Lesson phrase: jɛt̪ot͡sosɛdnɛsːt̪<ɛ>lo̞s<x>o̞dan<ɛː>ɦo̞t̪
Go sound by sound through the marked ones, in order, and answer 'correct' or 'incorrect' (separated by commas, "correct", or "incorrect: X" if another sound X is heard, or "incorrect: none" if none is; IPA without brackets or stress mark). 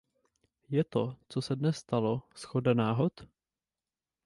incorrect: a, correct, incorrect: aː